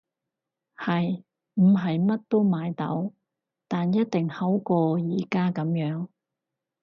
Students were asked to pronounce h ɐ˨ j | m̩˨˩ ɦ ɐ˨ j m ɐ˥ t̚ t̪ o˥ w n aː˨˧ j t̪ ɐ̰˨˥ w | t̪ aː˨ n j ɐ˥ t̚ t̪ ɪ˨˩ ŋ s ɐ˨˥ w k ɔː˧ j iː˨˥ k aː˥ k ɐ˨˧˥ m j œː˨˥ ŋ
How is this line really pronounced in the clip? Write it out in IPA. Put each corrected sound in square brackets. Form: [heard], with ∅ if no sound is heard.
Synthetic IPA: h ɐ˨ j | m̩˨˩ ɦ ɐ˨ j m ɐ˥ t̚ t̪ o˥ w [m] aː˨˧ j t̪ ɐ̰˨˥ w | t̪ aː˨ n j ɐ˥ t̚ t̪ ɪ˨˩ ŋ [h] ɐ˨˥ w k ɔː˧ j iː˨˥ k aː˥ k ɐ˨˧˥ m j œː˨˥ ŋ